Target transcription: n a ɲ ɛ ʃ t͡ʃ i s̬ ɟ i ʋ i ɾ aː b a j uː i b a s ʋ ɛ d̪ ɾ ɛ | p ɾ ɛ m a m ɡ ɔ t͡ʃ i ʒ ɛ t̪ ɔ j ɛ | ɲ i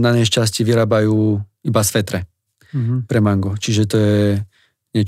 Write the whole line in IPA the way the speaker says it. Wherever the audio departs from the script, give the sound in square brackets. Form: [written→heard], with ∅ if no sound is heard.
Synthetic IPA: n a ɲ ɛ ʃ t͡ʃ [i→a] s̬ [ɟ→c] i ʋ i ɾ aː b a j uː i b a s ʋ ɛ [d̪→t̪] ɾ ɛ | p ɾ ɛ m a [m→ŋ] ɡ ɔ t͡ʃ i ʒ ɛ t̪ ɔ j ɛ | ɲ [i→ɛ]